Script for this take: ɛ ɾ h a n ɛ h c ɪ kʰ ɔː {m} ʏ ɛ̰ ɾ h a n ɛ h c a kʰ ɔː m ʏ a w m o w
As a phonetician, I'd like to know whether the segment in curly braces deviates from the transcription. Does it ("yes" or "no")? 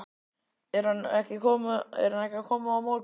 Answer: no